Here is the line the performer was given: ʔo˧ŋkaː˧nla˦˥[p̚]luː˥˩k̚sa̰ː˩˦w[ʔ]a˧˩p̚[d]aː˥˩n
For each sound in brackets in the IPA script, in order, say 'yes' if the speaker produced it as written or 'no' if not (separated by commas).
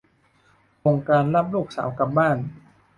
yes, no, no